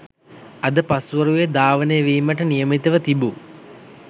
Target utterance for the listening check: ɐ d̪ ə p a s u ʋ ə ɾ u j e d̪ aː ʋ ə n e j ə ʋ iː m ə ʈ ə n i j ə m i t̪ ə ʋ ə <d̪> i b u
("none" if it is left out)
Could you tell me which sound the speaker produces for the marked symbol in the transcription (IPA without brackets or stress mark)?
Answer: t̪